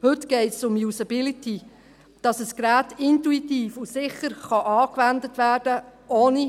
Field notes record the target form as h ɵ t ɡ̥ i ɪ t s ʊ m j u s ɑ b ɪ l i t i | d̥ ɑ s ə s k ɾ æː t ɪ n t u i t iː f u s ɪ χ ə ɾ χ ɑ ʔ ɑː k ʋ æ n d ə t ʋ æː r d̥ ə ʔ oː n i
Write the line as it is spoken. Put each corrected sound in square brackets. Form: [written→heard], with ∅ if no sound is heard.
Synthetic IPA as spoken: h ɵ t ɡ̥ [i→ɛ] ɪ t s ʊ m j u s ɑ b ɪ l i t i | d̥ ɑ s ə s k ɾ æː t ɪ n t u i t iː f u s ɪ χ ə ɾ χ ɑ ʔ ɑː k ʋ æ n d ə t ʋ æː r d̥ ə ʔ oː n i